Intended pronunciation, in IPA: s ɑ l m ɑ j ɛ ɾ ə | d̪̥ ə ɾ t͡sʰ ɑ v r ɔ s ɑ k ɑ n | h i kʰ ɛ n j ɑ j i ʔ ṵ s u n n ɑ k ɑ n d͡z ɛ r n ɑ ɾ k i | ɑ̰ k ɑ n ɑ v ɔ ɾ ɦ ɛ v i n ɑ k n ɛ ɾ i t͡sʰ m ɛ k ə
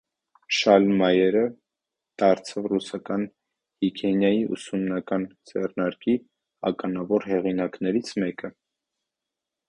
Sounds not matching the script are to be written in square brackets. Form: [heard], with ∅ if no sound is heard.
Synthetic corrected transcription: [ʃ] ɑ l m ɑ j ɛ ɾ ə | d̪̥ [ɑ] ɾ t͡sʰ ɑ v r [u] s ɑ k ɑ n | h i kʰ ɛ n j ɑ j i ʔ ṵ s u [m] n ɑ k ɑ n d͡z ɛ r n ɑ ɾ k i | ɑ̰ k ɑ n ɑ v ɔ ɾ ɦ ɛ [ʁ] i n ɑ k n ɛ ɾ i t͡sʰ m ɛ k ə